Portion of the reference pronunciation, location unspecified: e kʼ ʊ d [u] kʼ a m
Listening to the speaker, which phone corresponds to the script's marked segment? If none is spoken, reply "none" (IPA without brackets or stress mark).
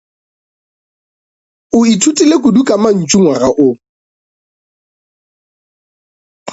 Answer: u